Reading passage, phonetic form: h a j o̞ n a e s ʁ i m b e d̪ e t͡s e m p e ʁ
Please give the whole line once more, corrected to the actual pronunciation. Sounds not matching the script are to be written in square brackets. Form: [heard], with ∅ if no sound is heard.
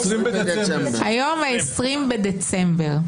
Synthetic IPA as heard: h a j o̞ [m] a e s ʁ i m b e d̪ e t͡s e m [b] e ʁ